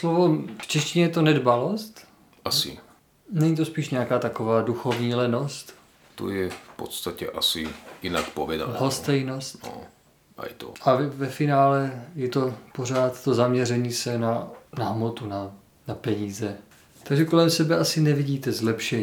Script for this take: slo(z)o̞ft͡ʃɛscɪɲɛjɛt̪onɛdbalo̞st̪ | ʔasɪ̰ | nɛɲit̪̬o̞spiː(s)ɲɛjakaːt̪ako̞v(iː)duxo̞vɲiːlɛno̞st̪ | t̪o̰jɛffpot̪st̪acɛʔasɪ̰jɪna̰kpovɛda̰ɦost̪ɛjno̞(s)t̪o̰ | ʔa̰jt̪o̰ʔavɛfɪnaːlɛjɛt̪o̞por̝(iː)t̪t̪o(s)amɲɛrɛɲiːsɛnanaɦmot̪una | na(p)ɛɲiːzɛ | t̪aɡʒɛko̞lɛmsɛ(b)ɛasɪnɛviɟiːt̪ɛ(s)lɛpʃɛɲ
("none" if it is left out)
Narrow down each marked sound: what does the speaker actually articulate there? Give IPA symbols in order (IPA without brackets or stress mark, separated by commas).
v, ʃ, aː, s, aː, z, p, b, z